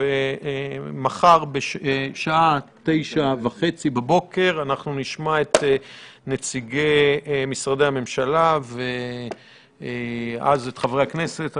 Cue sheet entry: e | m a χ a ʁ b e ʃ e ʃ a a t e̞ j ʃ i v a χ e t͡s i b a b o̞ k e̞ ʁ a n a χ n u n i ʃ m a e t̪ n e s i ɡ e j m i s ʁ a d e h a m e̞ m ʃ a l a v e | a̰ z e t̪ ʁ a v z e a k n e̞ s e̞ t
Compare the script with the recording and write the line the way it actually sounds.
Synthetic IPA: e | m a χ a ʁ b e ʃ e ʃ a a t e̞ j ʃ a v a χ e t͡s i b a b o̞ k e̞ ʁ a n a χ n u n i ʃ m a e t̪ n e t͡s i ɡ e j m i s ʁ a d e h a m e̞ m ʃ a l a v e | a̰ z e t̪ χ a v ʁ e a k n e̞ s e̞ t